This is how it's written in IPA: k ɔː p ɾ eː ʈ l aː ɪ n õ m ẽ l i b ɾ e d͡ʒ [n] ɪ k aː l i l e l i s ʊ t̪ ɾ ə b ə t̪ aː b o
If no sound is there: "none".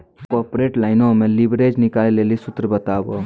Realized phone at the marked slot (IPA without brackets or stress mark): n